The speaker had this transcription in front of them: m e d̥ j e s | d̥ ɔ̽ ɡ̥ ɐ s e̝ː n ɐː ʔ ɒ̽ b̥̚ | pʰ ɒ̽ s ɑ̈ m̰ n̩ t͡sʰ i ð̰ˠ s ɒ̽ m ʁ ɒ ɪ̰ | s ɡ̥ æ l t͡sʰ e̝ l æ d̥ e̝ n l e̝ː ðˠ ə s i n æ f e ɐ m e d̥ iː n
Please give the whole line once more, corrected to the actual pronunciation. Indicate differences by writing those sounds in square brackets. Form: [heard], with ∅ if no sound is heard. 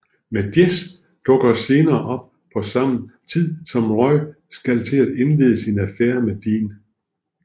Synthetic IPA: m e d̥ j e s | d̥ ɔ̽ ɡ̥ ɐ s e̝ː n ɐː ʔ ɒ̽ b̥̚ | pʰ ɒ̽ s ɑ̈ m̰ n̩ t͡sʰ i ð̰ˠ s ɒ̽ m ʁ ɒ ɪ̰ | s ɡ̥ æ l t͡sʰ e̝ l æ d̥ e̝ n l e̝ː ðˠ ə s i n æ f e ɐ m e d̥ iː n